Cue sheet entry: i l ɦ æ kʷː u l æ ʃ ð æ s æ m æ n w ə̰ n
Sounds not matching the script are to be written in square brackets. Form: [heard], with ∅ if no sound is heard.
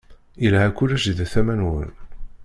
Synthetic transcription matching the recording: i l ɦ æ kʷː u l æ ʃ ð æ [θ] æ m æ n w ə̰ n